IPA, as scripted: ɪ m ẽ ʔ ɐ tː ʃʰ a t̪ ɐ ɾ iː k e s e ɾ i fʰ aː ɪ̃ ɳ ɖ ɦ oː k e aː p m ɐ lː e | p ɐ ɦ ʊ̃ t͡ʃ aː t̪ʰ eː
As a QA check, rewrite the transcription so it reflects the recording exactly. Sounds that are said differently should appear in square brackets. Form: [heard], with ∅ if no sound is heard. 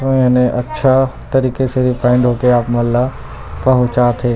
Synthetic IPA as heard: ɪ [n] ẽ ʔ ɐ tː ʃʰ a t̪ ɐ ɾ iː k e s e ɾ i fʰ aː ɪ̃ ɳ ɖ ɦ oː k e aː p m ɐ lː [a] | p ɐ ɦ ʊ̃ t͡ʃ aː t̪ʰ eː